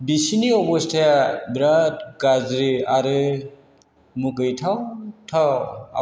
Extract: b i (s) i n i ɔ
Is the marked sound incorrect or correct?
correct